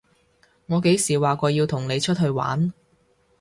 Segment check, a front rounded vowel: absent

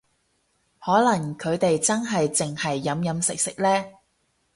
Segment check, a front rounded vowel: absent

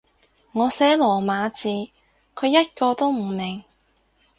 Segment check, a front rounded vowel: absent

